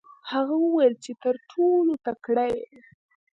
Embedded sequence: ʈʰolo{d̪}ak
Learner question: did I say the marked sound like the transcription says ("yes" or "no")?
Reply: no